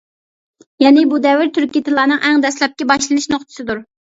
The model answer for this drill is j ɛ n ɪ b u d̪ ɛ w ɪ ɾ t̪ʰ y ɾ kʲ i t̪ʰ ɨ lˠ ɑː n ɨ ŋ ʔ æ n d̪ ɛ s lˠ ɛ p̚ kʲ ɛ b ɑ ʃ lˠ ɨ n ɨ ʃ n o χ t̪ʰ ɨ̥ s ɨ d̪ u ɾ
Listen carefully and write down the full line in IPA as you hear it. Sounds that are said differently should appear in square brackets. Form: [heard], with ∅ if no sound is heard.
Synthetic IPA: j ɛ n ɪ b u d̪ ɛ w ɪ ɾ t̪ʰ y ɾ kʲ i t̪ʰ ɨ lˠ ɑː n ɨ ŋ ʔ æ [ŋ] d̪ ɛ s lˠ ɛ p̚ kʲ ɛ b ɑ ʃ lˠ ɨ n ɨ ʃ n o χ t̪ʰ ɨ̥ s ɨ d̪ u ɾ